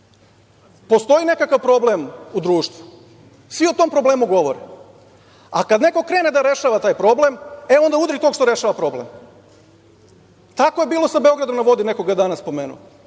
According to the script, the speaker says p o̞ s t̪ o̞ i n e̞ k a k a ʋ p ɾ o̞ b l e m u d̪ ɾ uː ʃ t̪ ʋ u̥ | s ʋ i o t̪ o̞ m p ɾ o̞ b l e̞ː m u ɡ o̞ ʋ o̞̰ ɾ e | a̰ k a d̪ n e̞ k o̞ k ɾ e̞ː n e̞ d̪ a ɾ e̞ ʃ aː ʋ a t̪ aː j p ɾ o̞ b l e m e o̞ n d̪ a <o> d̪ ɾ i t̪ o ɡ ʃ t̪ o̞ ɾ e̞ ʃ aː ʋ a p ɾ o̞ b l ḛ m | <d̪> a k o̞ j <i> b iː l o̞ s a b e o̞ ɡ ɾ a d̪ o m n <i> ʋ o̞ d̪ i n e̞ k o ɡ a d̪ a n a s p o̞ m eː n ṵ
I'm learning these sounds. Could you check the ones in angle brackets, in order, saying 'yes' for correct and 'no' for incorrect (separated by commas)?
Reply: no, no, no, no